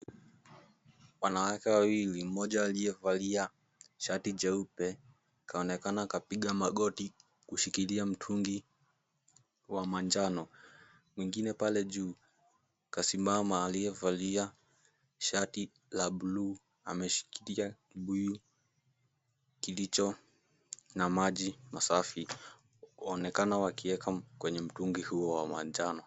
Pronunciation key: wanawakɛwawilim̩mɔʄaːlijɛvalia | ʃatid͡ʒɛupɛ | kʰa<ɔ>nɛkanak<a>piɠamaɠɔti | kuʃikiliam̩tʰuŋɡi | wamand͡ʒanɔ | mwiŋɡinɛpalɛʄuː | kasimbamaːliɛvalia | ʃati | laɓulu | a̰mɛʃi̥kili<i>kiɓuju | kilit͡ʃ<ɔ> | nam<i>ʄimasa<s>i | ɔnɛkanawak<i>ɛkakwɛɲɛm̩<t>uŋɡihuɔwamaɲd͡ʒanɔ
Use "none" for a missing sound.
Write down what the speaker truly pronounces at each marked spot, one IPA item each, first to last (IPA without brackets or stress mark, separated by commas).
ɔ, a, a, ɔ, a, f, i, t